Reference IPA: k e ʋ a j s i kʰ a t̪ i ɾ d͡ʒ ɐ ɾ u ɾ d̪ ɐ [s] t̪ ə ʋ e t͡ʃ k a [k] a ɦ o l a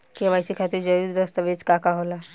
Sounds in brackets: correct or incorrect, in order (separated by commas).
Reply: correct, correct